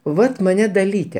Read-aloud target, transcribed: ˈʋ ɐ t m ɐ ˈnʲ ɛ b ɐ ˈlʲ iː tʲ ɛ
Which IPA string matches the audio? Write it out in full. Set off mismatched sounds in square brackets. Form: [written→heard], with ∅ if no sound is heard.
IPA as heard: ˈʋ ɐ t m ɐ ˈnʲ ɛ [b→d] ɐ ˈlʲ iː tʲ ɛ